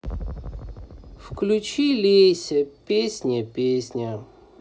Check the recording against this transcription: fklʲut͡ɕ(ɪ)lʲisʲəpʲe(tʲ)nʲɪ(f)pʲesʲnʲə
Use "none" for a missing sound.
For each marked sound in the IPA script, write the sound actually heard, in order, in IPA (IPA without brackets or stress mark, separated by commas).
i, sʲ, none